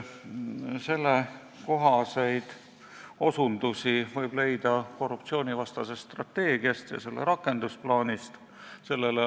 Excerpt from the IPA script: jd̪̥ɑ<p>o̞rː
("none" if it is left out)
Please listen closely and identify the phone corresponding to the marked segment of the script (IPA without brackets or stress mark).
k